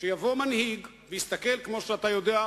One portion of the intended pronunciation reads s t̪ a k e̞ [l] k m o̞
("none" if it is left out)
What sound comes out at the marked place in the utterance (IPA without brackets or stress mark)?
l